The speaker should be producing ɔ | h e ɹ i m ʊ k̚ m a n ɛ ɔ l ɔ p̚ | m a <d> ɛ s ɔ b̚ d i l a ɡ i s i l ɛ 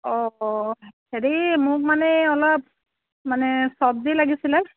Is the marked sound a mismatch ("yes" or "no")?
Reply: yes